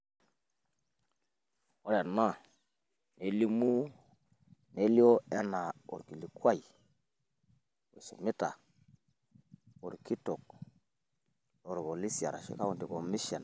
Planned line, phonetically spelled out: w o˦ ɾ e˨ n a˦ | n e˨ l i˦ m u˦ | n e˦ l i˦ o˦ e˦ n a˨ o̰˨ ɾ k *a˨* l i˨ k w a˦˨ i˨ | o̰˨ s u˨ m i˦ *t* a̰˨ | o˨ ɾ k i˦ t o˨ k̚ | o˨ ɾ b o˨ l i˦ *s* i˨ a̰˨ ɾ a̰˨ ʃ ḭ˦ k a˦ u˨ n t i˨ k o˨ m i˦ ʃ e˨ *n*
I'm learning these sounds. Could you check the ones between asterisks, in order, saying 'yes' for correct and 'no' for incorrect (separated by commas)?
no, yes, yes, yes